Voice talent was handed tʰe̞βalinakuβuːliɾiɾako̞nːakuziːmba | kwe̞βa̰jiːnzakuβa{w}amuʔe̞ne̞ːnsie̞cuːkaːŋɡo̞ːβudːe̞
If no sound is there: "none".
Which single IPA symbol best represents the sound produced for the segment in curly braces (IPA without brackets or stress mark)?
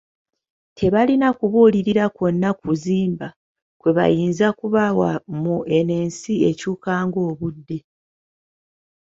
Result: w